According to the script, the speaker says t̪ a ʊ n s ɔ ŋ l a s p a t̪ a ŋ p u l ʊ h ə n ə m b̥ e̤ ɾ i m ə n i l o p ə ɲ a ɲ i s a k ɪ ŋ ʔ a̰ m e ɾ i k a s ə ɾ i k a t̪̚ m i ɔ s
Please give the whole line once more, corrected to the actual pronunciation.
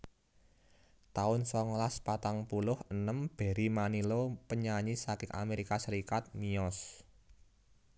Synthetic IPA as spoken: t̪ a ʊ n s ɔ ŋ l a s p a t̪ a ŋ p u l ʊ h ə n ə m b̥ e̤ ɾ i m a n i l o p ə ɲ a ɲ i s a k ɪ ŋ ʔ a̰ m e ɾ i k a s ə ɾ i k a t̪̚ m i ɔ s